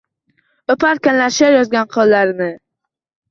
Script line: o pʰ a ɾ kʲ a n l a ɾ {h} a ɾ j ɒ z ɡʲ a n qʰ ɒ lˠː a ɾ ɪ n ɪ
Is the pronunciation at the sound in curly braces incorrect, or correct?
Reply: incorrect